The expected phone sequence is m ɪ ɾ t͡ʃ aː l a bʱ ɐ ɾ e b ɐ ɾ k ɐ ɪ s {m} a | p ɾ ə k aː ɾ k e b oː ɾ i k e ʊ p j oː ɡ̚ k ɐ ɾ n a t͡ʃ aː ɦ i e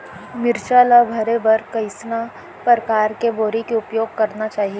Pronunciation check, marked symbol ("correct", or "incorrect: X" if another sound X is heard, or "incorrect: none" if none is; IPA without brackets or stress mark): incorrect: n